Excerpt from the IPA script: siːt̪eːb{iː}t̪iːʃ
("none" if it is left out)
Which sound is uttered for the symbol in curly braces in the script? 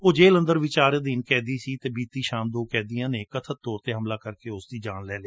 iː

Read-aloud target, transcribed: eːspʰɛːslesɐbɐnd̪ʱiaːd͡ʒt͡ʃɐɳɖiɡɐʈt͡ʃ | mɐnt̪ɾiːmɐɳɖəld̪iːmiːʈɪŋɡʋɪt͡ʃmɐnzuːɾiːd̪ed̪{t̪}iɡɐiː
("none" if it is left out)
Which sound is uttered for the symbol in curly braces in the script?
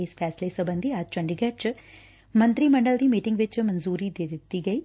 t̪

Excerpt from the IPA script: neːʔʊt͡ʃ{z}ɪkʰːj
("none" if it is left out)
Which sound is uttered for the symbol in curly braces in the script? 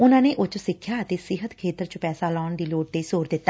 s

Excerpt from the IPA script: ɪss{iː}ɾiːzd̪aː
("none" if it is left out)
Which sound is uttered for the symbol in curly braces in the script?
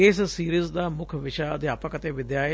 iː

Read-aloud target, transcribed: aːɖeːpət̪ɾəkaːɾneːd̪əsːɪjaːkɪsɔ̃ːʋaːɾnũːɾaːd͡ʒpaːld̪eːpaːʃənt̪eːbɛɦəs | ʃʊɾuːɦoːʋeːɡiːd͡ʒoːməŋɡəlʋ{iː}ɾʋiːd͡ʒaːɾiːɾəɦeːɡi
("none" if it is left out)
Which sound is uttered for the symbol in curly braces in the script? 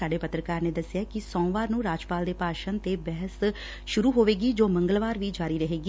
aː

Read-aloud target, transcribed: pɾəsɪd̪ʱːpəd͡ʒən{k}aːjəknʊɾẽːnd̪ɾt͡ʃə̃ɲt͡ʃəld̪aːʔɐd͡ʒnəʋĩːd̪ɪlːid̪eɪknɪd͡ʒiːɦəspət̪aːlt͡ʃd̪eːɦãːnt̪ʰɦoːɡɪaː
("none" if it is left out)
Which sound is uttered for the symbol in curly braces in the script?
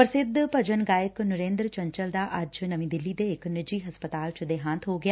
ɡ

